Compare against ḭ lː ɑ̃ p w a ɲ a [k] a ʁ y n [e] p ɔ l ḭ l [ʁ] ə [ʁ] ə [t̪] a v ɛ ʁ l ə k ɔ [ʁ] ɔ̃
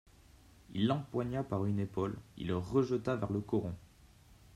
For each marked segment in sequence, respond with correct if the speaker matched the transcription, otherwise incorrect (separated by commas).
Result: incorrect, correct, correct, incorrect, correct, correct